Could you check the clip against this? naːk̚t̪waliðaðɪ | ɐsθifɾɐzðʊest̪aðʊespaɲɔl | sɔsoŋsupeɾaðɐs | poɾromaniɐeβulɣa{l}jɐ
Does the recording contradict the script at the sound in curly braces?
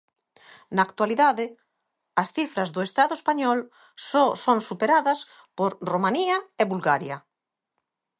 yes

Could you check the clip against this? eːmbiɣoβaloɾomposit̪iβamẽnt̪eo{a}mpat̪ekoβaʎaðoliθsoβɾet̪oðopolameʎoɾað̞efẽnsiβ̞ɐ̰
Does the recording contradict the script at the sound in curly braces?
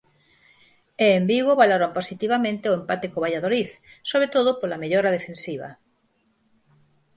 yes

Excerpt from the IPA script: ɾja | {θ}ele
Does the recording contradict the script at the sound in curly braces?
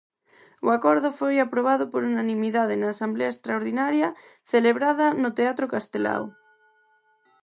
no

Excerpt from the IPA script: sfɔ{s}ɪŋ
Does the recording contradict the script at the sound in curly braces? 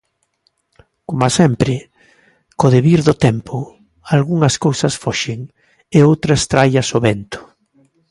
yes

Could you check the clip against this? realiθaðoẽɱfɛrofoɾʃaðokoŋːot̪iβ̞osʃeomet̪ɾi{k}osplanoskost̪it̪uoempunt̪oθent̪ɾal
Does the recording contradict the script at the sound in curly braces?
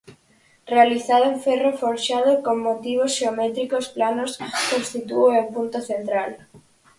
no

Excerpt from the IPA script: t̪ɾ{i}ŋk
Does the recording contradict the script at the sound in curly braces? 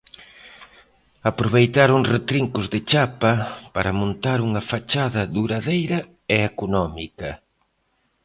no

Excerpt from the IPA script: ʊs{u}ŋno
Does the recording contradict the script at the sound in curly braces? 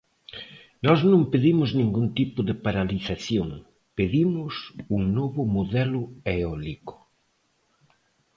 no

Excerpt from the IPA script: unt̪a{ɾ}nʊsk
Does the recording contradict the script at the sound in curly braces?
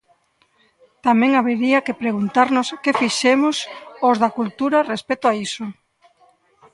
no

